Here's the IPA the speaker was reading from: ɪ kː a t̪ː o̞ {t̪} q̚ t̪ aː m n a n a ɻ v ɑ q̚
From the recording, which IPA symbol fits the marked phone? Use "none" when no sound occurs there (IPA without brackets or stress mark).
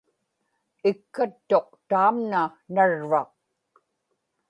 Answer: none